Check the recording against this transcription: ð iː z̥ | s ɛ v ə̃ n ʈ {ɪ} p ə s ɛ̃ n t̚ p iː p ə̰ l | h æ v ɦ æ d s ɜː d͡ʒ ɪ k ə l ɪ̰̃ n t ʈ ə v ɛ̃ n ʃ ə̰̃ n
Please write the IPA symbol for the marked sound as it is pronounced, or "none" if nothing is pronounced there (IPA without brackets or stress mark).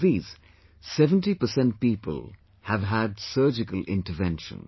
i